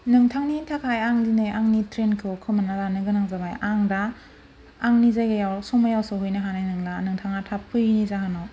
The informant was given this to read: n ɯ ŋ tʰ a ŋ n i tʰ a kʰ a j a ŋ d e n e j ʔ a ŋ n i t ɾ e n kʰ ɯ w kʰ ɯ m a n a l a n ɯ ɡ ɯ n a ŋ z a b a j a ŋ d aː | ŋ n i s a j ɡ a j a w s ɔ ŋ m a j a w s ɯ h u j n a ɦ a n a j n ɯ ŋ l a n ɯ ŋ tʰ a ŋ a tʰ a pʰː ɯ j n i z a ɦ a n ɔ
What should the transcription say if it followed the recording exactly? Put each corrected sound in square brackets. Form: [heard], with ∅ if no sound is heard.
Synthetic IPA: n ɯ ŋ tʰ a ŋ n i tʰ a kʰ a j a ŋ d [i] n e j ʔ a ŋ n i t ɾ e n kʰ ɯ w kʰ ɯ m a n a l a n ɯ ɡ ɯ n a ŋ z a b a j a ŋ d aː | ŋ n i [z] a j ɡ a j a w s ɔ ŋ m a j a w s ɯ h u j n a ɦ a n a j n ɯ ŋ l a n ɯ ŋ tʰ a ŋ a tʰ a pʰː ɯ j n i z a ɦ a n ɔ